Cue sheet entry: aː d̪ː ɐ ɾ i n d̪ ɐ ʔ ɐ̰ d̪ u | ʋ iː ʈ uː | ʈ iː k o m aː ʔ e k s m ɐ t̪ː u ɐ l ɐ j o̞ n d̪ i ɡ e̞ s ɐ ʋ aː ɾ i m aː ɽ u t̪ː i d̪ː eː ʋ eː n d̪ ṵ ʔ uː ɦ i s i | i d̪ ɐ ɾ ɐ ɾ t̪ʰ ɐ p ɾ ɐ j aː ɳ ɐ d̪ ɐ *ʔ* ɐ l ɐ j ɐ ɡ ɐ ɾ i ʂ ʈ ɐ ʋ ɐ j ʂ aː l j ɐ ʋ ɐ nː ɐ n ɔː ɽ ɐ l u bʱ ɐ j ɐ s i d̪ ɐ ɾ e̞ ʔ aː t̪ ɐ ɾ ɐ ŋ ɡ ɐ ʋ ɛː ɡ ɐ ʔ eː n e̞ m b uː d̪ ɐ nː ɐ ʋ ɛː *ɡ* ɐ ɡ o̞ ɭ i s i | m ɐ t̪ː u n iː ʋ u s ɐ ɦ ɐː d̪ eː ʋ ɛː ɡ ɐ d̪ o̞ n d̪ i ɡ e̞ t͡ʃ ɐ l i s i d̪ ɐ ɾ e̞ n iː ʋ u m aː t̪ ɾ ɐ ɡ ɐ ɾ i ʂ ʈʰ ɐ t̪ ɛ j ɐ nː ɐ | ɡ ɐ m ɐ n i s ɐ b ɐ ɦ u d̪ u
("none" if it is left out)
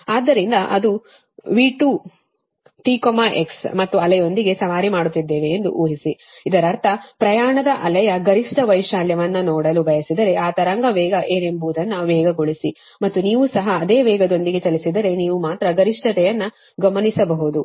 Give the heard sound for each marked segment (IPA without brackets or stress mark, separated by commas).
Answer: ʔ, ɡ